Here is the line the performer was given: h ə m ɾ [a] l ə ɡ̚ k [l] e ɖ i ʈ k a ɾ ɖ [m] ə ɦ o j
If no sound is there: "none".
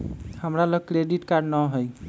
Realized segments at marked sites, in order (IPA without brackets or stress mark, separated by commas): a, ɾ, n